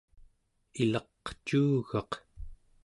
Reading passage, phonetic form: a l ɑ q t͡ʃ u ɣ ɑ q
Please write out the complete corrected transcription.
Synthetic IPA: i l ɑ q t͡ʃ uː ɣ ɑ q